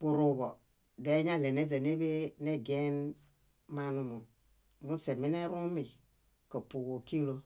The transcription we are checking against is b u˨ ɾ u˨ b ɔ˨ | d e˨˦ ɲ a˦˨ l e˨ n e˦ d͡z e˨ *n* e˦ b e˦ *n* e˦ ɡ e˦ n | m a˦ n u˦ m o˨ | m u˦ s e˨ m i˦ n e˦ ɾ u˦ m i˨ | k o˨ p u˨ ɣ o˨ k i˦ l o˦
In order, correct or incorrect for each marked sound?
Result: correct, correct

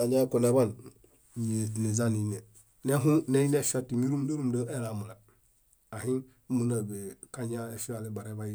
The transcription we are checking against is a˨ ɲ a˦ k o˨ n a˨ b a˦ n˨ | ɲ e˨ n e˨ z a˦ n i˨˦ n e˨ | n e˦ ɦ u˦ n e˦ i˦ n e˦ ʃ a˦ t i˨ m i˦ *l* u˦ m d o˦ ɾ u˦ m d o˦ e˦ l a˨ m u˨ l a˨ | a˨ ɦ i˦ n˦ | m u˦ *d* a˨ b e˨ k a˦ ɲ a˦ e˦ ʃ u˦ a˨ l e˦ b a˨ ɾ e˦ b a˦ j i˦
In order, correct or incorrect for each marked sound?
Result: incorrect, incorrect

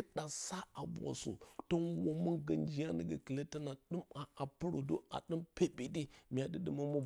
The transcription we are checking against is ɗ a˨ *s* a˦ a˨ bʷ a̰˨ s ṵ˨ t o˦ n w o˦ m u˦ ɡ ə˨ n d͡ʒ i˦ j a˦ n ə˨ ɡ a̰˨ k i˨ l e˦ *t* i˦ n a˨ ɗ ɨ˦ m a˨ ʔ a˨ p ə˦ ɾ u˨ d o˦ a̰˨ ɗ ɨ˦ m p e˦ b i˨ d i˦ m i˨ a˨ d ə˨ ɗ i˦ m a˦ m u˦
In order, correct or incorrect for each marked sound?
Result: correct, correct

